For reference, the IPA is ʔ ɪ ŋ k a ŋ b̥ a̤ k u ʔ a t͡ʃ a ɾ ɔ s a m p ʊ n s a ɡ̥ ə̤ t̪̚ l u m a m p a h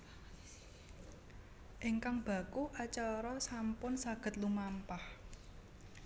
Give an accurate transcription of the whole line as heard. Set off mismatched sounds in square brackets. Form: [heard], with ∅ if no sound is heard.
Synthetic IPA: ʔ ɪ ŋ k a ŋ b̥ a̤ k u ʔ a t͡ʃ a ɾ ɔ s a m p ʊ n s a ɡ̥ ə̤ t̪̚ l u m a m p a h